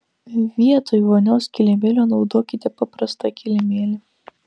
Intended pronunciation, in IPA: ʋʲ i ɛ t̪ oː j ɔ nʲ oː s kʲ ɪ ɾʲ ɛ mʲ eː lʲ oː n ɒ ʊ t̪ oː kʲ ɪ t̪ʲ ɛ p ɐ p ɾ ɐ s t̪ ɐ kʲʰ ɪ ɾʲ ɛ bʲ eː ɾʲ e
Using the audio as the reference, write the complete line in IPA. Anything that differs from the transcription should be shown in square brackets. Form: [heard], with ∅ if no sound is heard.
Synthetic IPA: ʋʲ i ɛ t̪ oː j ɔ nʲ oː s kʲ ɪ [lʲ] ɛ mʲ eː lʲ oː n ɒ ʊ [d̪] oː kʲ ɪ t̪ʲ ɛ p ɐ p ɾ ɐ s t̪ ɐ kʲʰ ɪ [lʲ] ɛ [mʲ] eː [lʲ] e